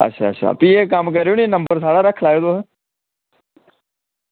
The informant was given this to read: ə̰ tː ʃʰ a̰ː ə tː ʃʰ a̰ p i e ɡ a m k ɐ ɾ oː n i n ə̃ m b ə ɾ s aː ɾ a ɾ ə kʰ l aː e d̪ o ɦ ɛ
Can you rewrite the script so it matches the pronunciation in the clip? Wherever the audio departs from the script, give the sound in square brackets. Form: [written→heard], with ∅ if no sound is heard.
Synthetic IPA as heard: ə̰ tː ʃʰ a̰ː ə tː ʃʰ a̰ p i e [ɡ→k] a m k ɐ ɾ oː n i n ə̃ m b ə ɾ s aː [ɾ→ɽ] a ɾ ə kʰ l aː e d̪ o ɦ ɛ